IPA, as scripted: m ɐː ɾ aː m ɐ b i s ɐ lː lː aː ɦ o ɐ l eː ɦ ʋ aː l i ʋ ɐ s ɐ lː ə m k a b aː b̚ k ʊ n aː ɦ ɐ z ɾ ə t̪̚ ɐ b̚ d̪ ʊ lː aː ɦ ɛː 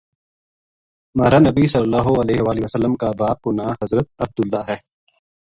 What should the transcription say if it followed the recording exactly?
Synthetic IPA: m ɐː ɾ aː n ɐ b i s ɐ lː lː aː ɦ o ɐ l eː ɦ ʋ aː l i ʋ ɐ s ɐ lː ə m k a b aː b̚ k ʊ n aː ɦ ɐ z ɾ ə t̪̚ ɐ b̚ d̪ ʊ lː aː ɦ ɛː